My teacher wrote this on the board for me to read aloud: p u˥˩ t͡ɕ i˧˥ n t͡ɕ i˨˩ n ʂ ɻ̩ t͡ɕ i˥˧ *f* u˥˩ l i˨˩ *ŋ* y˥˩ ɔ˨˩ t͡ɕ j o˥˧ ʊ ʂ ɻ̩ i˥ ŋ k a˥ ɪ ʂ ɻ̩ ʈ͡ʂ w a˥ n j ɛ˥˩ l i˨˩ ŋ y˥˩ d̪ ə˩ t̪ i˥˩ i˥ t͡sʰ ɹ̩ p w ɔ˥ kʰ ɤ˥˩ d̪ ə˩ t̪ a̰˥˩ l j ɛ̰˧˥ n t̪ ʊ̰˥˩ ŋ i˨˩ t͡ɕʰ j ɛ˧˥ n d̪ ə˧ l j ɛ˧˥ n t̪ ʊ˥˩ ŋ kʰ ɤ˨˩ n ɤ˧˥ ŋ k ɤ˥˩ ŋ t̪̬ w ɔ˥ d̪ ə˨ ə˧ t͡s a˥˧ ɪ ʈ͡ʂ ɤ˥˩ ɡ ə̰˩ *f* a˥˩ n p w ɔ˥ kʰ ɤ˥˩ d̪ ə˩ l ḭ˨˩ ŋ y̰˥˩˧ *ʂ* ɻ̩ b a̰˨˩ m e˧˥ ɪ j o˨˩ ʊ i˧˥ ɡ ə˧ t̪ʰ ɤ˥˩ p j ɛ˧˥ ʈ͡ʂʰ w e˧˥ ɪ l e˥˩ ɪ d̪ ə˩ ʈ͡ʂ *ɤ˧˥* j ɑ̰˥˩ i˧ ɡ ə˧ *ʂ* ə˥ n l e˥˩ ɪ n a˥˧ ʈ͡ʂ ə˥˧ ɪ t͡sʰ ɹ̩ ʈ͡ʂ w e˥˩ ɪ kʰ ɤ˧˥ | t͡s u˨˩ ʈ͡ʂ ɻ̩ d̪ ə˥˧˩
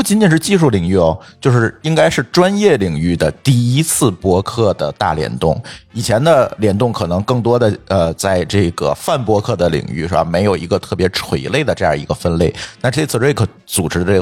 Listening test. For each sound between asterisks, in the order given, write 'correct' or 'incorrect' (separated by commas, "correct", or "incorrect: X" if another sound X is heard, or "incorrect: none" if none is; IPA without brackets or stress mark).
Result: incorrect: ʂ, correct, correct, correct, incorrect: ɤ˥˧, incorrect: f